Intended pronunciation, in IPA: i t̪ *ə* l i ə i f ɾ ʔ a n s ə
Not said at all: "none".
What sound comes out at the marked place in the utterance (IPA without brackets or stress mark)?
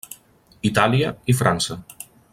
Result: a